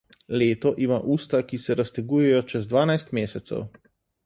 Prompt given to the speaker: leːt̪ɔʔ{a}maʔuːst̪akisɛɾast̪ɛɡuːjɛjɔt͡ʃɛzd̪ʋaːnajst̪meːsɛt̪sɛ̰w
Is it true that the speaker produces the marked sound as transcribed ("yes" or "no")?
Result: no